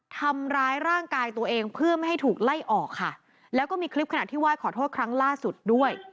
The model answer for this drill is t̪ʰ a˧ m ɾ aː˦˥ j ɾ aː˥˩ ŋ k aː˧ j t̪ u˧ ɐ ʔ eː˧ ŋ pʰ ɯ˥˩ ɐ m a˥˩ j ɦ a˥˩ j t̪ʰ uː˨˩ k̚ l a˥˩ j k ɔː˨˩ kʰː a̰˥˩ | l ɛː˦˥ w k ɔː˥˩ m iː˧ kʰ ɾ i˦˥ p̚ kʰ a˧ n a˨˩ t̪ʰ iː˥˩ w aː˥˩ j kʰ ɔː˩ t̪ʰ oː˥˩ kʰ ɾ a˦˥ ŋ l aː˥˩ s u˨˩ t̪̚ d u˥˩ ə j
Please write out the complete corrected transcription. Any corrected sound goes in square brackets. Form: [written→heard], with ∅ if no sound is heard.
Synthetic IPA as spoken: t̪ʰ a˧ m ɾ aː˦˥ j ɾ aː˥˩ ŋ k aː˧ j t̪ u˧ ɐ ʔ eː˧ ŋ pʰ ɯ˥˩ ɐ m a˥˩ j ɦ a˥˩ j t̪ʰ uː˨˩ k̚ l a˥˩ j [k→ʔ] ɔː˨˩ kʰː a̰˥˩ | l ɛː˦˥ w k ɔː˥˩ m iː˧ kʰ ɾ i˦˥ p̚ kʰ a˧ n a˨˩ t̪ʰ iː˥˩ w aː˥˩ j kʰ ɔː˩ t̪ʰ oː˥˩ kʰ ɾ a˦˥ ŋ l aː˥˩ s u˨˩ t̪̚ d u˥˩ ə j